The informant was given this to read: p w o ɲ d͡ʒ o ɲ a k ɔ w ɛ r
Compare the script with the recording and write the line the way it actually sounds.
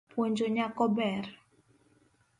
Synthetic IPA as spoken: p w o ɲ d͡ʒ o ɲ a k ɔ b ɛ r